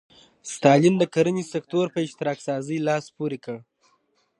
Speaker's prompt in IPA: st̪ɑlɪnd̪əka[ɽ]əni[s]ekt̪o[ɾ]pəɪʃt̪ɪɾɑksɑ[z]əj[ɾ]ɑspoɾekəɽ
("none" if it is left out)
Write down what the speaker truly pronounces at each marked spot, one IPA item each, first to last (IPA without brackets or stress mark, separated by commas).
ɾ, s, ɾ, z, l